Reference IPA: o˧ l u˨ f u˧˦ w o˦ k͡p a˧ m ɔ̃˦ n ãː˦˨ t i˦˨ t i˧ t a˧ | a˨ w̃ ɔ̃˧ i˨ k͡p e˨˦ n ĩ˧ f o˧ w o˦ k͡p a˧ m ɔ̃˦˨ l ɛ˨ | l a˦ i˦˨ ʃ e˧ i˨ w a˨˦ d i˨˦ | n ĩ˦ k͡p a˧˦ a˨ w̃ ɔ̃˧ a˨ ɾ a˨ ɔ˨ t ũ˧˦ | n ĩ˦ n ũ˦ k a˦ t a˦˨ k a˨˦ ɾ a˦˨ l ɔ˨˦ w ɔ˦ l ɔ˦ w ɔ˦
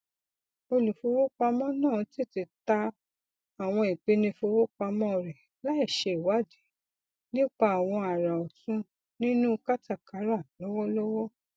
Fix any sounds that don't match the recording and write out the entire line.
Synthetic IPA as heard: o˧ l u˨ f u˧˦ w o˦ k͡p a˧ m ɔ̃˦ n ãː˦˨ t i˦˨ t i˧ t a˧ | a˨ w̃ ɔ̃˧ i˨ k͡p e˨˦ n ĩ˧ f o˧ w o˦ k͡p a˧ m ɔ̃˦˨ ɾ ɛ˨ | l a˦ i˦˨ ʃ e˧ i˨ w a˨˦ d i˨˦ | n ĩ˦ k͡p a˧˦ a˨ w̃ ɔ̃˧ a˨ ɾ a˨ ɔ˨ t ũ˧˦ | n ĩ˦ n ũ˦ k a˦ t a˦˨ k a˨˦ ɾ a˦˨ l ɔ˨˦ w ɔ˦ l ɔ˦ w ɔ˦